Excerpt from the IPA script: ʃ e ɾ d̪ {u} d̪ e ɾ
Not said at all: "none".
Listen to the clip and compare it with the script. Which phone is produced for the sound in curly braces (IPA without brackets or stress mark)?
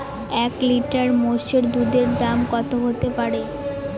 u